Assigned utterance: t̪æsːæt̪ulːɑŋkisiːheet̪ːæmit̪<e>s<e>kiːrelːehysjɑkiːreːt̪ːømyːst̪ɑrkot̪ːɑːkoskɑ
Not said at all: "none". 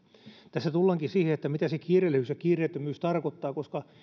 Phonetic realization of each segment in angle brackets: æ, e

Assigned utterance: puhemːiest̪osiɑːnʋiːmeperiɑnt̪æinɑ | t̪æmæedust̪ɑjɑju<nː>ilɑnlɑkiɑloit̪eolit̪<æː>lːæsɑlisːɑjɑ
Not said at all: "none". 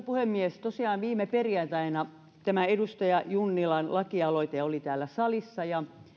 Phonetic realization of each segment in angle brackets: nː, æː

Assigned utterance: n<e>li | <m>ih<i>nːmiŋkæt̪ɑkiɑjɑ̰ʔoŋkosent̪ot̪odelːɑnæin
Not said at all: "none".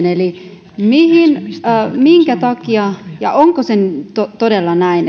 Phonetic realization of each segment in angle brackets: e, m, i

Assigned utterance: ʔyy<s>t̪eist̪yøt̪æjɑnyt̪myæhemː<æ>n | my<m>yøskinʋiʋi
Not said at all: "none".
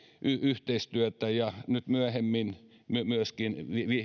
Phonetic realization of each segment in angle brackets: h, i, m

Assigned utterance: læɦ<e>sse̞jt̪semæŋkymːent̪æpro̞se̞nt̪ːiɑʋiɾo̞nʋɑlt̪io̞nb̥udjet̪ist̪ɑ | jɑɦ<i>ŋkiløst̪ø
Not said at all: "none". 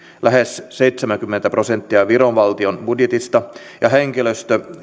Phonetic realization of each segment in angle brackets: e, e

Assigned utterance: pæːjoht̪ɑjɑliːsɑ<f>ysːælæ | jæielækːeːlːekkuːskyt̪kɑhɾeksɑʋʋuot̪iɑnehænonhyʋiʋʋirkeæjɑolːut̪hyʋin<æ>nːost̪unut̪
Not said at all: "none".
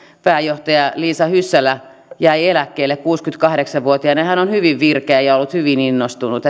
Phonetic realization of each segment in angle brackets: h, i

